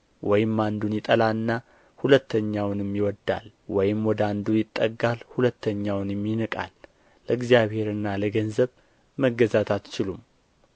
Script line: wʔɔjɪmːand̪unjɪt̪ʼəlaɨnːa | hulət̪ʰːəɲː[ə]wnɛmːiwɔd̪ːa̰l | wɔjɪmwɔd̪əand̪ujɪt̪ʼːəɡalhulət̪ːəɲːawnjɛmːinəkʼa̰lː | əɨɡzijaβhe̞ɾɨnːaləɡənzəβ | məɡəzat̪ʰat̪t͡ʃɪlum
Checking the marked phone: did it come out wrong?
yes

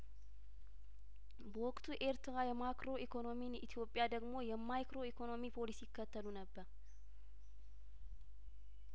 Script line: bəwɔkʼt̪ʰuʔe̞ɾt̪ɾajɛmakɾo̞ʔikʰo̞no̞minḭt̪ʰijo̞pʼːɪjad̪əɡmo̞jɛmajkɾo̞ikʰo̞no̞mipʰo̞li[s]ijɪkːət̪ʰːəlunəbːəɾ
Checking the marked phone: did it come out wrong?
no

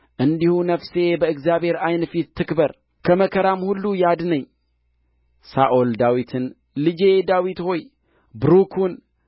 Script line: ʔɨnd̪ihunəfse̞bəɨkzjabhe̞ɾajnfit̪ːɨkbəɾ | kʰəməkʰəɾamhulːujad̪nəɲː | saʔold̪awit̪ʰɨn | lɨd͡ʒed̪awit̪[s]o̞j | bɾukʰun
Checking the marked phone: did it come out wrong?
yes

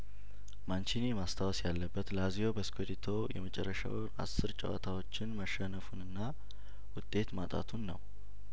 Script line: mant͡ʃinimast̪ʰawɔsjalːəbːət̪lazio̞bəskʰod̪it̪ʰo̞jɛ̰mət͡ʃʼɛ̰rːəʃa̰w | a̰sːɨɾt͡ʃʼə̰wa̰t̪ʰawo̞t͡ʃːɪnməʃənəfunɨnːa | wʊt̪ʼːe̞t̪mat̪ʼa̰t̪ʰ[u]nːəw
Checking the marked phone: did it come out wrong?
no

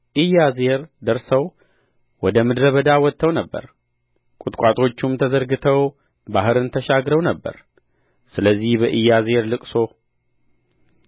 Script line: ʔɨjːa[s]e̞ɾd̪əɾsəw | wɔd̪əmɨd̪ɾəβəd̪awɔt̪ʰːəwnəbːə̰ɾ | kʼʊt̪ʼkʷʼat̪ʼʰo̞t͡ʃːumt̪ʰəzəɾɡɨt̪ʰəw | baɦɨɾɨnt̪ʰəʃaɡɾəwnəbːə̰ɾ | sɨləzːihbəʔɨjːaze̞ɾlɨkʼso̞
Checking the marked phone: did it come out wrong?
yes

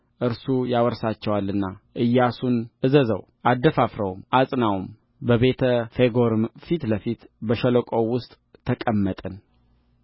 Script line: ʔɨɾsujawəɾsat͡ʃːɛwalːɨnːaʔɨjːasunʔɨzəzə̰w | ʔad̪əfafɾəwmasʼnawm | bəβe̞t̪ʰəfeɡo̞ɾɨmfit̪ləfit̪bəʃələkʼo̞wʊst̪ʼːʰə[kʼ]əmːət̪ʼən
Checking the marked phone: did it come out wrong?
no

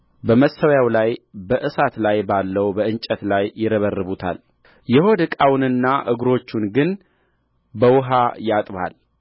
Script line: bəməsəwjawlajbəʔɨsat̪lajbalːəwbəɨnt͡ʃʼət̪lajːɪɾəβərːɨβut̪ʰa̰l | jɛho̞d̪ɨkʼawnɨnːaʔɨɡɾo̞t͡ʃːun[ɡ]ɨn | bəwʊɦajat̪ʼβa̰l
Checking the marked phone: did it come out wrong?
no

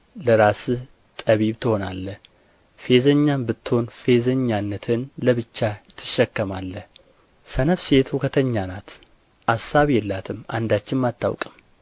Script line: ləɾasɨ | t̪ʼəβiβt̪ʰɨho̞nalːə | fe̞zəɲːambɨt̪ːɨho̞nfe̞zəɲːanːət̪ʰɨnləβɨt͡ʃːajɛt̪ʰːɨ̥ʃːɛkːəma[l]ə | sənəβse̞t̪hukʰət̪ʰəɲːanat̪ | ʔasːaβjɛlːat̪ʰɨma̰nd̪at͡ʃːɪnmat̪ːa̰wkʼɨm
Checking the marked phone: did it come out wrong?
yes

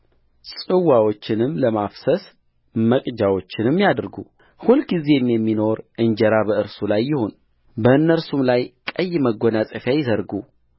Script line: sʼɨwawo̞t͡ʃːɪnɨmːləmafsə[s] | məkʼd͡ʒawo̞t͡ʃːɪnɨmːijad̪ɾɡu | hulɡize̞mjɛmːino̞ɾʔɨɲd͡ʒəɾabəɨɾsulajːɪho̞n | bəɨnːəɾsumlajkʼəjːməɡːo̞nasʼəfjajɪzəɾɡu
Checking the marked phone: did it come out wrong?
no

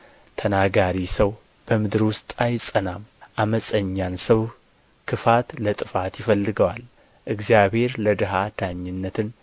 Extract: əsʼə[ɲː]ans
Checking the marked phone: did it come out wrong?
no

